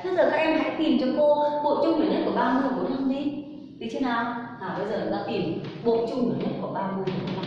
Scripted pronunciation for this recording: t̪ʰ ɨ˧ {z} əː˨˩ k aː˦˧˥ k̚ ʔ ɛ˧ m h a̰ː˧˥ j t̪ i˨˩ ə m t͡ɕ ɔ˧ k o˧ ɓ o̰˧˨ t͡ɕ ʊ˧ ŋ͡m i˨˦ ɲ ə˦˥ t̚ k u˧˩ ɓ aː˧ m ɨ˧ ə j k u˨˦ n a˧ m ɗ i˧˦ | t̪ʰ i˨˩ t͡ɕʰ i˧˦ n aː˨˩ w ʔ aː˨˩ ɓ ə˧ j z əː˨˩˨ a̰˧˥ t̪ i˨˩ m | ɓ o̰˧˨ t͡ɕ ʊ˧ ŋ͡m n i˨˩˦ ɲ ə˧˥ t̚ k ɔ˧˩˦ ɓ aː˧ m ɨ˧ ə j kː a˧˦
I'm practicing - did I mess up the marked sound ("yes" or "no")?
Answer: no